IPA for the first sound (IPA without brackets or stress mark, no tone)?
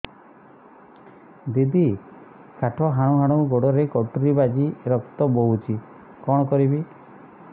d̪